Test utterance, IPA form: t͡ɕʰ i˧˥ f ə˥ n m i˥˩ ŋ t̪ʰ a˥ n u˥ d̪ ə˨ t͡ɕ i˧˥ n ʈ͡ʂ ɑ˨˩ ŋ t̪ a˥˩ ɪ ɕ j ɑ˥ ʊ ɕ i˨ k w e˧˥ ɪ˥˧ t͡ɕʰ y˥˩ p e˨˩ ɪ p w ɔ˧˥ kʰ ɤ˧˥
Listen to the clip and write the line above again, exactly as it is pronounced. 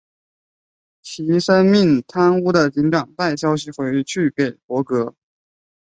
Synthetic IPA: t͡ɕʰ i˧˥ ʂ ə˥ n m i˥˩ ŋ t̪ʰ a˥ n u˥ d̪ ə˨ t͡ɕ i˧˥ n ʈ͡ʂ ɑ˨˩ ŋ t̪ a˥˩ ɪ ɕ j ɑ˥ ʊ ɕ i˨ x w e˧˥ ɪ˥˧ t͡ɕʰ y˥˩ p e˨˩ ɪ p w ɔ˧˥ k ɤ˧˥